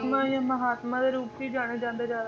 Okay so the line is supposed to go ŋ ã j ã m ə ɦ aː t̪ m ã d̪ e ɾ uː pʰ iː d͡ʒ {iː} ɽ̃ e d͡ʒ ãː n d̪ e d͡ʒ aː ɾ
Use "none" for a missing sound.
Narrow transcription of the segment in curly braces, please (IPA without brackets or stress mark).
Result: aː